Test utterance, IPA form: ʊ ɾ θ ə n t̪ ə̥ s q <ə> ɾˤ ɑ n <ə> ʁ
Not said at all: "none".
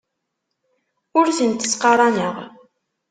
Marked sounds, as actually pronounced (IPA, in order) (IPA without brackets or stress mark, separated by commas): ɑ, ə